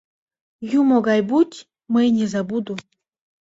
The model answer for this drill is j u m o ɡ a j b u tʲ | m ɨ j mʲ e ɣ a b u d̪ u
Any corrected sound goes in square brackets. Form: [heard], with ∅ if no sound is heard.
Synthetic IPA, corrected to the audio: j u m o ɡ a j b u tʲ | m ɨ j [nʲ] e [z] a b u d̪ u

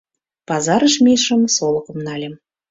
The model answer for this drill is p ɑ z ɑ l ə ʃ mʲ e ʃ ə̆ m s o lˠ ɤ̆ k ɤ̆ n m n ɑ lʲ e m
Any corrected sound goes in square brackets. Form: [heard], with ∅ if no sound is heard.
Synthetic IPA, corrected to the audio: p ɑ z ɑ [ɾ] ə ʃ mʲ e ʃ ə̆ m s o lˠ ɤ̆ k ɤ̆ [∅] m n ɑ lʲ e m

